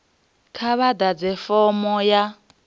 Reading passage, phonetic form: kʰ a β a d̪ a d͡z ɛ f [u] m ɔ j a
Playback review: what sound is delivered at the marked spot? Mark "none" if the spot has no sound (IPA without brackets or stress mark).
ɔ